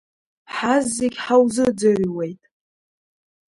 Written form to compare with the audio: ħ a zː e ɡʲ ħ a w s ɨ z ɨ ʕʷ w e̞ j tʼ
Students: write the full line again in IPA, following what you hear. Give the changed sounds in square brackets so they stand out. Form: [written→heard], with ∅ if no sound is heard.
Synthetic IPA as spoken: ħ a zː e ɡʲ ħ a w [s→z] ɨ [z→d͡z] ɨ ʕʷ w e̞ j tʼ